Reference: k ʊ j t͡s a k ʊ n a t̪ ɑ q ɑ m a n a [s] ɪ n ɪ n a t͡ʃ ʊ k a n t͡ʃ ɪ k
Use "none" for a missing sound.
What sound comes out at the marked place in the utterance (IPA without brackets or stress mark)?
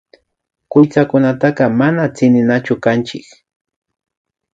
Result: t͡s